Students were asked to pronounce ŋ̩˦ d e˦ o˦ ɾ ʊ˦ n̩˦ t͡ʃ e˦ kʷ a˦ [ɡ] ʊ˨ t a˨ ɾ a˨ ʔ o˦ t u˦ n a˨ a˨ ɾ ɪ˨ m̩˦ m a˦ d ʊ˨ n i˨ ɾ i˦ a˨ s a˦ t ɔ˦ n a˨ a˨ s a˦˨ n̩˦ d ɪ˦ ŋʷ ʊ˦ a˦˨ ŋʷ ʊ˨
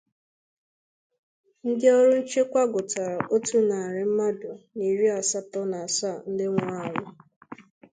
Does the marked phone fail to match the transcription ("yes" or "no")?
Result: no